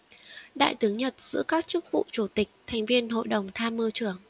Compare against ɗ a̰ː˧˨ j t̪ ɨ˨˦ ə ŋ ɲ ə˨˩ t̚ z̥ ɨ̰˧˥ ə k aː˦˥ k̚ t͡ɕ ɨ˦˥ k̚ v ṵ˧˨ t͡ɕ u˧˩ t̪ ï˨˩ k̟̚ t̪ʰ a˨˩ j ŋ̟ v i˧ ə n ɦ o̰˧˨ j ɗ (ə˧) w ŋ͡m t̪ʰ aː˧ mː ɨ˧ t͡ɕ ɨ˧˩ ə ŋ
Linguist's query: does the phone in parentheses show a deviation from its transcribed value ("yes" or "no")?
yes